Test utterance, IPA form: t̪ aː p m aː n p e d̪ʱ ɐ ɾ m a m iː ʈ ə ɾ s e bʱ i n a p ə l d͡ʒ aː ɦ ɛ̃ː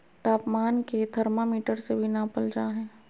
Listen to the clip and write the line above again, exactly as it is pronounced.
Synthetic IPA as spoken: t̪ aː p m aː n k e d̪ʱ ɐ ɾ m a m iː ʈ ə ɾ s e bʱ i n a p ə l d͡ʒ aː ɦ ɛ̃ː